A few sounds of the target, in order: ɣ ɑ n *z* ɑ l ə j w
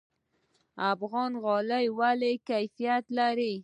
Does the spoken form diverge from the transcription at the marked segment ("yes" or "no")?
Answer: yes